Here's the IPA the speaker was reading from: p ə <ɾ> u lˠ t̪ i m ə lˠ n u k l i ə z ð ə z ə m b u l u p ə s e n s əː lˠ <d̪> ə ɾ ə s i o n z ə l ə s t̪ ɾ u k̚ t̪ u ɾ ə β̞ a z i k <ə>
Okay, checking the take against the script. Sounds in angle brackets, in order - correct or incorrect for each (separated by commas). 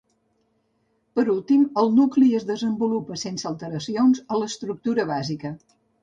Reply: correct, incorrect, correct